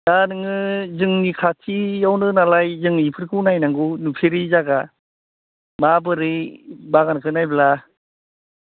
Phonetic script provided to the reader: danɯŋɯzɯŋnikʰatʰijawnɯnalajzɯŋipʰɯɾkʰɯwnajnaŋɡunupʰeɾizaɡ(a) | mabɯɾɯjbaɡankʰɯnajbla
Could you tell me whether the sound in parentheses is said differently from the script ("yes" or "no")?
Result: no